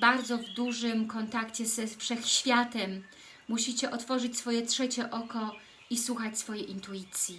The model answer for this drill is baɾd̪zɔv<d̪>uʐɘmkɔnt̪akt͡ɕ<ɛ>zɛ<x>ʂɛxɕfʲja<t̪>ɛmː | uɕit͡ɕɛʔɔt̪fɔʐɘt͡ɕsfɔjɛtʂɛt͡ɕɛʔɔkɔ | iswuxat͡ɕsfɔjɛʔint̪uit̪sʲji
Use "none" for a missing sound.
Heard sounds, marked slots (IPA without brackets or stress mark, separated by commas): d̪, ɛ, f, t̪